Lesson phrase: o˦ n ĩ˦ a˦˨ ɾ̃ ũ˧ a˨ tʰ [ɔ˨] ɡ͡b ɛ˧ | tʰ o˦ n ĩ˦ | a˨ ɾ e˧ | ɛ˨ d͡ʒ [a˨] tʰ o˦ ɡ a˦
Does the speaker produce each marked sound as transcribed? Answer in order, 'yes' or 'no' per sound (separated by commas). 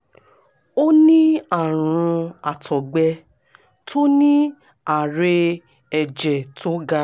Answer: yes, no